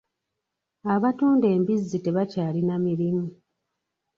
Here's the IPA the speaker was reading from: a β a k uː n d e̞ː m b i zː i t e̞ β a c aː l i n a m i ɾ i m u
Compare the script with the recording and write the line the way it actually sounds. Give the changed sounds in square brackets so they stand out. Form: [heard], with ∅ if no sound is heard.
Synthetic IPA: a β a [t] uː n d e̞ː m b i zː i t e̞ β a c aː l i n a m i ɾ i m u